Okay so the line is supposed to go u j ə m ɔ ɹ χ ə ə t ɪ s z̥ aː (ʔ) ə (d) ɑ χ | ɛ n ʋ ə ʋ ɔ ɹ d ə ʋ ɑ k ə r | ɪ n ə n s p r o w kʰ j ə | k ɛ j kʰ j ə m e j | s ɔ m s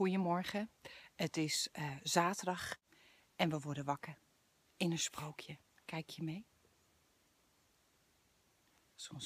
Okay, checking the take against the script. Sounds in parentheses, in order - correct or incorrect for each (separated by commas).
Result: incorrect, correct